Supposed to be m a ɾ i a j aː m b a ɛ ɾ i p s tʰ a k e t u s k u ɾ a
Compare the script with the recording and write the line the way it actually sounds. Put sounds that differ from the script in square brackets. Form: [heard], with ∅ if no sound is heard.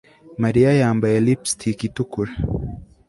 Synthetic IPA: m a ɾ i a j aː m b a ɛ [l] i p s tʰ [i] k [i] t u [∅] k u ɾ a